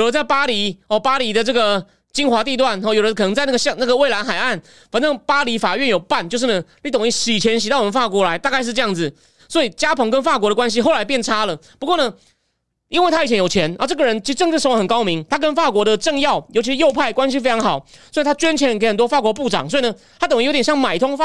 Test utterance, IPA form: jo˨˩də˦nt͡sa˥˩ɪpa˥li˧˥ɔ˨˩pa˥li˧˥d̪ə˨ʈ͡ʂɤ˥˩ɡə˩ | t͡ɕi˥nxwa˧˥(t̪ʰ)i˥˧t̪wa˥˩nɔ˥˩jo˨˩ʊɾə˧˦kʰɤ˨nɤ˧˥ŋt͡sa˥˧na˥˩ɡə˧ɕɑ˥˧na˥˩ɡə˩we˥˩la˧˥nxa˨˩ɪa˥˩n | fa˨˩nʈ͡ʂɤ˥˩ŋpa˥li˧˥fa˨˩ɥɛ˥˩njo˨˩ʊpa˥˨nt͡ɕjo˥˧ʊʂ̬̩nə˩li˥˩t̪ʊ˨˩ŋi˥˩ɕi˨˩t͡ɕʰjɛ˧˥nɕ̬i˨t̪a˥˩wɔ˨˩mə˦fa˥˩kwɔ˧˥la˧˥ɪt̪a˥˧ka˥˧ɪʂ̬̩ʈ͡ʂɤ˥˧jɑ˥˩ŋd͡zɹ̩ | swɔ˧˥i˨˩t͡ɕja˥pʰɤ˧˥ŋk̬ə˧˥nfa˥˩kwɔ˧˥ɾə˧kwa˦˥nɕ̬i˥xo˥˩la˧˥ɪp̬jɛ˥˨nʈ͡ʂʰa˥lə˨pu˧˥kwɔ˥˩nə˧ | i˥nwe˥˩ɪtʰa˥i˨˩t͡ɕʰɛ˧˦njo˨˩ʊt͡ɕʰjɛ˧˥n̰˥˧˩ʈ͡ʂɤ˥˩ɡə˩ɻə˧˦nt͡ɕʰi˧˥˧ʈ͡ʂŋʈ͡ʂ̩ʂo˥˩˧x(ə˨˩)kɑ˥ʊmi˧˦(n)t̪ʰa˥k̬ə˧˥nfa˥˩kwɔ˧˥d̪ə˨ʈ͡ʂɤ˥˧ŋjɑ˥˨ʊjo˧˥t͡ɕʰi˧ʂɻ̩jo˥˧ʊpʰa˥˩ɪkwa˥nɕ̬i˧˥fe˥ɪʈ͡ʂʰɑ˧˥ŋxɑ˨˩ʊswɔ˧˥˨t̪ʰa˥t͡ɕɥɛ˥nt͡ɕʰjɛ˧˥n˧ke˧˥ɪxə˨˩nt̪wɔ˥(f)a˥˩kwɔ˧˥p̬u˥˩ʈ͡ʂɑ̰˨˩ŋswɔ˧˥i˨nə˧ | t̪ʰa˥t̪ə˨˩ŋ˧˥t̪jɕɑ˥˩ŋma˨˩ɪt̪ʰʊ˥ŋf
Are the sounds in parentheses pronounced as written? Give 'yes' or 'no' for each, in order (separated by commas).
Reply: no, yes, no, yes